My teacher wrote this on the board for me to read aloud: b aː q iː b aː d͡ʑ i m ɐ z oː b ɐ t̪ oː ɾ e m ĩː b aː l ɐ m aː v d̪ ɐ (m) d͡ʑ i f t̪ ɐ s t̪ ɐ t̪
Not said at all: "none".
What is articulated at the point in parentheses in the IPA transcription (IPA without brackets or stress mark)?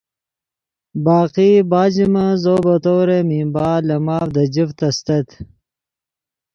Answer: none